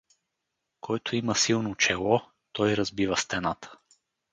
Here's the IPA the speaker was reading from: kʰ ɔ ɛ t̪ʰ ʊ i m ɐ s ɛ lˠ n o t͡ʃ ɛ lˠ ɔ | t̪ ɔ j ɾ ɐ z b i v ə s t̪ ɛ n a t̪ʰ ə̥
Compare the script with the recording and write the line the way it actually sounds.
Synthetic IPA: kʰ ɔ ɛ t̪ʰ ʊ i m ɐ s i lˠ n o t͡ʃ ɛ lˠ ɔ | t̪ ɔ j ɾ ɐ z b i v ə s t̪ ɛ n a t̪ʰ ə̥